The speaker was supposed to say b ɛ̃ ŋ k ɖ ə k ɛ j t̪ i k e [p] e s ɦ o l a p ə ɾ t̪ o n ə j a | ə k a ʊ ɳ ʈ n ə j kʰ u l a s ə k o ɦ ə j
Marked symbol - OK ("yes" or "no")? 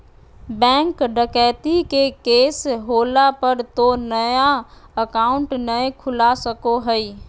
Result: no